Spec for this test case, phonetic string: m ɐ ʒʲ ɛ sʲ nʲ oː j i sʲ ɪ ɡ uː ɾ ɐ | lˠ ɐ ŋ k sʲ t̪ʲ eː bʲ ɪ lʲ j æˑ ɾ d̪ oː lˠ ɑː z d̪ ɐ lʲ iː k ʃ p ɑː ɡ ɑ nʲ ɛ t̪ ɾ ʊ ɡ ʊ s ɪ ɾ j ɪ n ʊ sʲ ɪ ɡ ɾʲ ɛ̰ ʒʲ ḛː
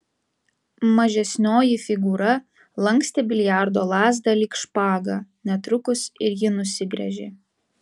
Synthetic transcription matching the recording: m ɐ ʒʲ ɛ sʲ nʲ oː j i fʲ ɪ ɡ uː ɾ ɐ | lˠ ɐ ŋ k sʲ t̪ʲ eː bʲ ɪ lʲ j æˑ ɾ d̪ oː lˠ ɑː z d̪ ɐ lʲ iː k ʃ p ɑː ɡ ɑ nʲ ɛ t̪ ɾ ʊ k ʊ s ɪ ɾ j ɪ n ʊ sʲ ɪ ɡ ɾʲ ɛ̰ ʒʲ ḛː